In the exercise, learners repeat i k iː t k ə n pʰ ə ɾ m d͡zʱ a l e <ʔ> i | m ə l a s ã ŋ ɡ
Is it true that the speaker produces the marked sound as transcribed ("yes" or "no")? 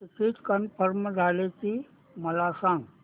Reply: no